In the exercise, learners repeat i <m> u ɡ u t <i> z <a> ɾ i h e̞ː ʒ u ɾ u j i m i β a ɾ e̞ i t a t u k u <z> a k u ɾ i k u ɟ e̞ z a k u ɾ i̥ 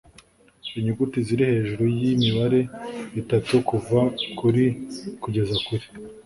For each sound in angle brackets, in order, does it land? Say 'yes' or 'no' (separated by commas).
no, yes, no, no